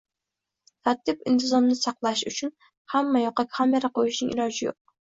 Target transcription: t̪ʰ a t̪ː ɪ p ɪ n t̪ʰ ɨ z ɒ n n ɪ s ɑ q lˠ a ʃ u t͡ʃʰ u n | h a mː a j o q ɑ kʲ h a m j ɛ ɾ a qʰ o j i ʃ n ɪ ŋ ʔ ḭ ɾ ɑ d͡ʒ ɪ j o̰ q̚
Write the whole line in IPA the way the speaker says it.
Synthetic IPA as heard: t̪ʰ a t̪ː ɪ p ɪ n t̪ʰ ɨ z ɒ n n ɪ s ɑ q lˠ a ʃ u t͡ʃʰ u n | h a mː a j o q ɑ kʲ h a m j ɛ ɾ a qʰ o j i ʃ n ɪ ŋ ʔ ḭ ɾ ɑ d͡ʒ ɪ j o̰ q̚